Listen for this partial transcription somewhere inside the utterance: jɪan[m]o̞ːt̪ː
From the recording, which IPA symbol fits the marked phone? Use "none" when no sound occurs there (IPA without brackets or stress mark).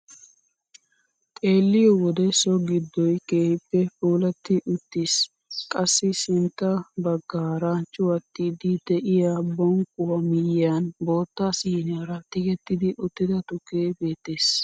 b